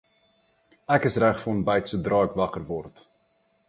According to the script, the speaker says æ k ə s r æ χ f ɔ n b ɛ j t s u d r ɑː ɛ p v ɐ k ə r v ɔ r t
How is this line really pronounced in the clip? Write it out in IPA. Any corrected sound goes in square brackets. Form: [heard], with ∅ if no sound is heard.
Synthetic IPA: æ k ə s r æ χ f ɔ n b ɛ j t s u d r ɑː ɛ [k] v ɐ k ə r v ɔ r t